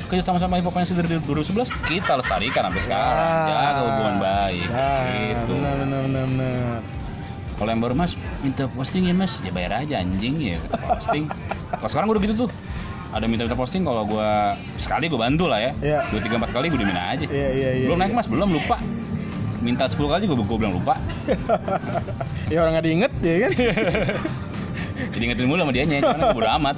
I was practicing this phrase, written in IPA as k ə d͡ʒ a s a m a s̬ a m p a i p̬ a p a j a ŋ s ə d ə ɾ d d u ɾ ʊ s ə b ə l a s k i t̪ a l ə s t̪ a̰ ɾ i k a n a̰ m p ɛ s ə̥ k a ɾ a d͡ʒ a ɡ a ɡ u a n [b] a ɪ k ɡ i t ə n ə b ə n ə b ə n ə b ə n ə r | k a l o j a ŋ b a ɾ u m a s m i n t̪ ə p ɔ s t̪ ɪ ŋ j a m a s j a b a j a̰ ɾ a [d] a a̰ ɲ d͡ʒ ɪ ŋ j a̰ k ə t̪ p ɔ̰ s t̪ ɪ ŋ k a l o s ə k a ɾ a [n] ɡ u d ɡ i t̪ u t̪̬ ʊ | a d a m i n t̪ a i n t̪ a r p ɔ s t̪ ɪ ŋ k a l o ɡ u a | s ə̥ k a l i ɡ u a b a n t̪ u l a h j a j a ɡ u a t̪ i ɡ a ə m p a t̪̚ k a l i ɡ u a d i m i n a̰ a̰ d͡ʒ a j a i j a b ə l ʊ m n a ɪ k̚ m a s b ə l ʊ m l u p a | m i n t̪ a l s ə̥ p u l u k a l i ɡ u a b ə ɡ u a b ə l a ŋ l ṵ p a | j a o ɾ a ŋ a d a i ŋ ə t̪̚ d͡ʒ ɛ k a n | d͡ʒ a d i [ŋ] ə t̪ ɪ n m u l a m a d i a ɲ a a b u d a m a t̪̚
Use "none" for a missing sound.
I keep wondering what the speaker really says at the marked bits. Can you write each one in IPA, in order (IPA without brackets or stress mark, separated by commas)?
b, d͡ʒ, ŋ, ŋ